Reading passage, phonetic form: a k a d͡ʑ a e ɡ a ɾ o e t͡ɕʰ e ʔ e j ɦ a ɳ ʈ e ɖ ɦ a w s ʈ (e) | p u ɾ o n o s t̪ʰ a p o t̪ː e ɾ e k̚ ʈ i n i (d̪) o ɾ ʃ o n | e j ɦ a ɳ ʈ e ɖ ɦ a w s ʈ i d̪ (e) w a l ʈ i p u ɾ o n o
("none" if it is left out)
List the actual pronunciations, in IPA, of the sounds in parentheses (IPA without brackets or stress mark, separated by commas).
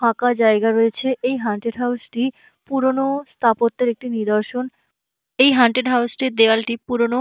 i, d̪, e